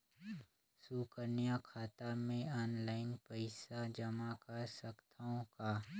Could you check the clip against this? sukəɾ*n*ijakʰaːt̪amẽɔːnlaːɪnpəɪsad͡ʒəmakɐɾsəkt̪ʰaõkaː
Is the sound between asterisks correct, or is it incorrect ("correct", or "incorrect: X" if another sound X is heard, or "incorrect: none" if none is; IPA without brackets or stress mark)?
correct